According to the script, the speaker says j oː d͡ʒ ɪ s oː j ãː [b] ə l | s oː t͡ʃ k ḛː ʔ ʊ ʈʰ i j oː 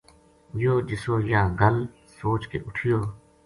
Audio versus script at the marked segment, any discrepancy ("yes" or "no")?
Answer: yes